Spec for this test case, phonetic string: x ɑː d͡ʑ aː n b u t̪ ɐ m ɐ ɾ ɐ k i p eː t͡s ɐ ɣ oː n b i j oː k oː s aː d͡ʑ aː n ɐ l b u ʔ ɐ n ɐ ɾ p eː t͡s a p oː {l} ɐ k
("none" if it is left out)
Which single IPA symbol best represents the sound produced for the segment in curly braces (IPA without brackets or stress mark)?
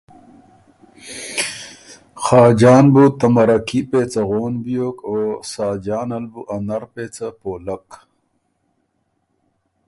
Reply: l